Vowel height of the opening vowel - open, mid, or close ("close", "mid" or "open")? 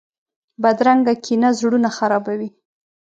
open